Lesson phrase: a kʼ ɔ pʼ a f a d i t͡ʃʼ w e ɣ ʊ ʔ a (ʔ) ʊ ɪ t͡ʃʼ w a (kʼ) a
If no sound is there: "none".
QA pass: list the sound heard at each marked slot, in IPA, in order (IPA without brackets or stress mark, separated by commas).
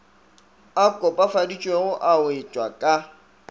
none, kʼ